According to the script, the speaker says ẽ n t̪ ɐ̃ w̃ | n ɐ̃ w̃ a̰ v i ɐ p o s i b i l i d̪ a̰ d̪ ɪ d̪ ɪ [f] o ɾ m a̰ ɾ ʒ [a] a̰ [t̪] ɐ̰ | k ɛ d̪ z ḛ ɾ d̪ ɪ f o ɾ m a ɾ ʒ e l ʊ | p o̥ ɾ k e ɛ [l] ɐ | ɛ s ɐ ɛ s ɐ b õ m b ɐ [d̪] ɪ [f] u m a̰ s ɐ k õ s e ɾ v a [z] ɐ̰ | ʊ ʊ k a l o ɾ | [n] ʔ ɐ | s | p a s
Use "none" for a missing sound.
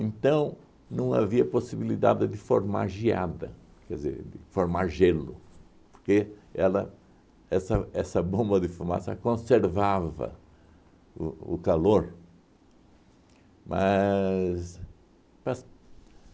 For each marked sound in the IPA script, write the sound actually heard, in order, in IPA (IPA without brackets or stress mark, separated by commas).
f, i, d̪, l, d̪, f, v, m